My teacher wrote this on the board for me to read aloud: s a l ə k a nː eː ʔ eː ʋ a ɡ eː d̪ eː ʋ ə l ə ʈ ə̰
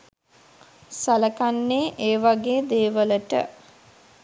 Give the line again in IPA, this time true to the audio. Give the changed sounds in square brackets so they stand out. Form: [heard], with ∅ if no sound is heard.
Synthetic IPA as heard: s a l ə k a nː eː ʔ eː ʋ a ɡ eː d̪ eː ʋ ə l ə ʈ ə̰